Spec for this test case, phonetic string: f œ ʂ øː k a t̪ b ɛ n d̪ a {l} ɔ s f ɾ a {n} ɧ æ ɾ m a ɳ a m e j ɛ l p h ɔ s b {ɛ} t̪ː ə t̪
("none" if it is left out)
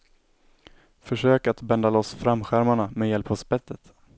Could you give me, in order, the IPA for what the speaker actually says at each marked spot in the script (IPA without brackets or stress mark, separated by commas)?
l, m, ɛ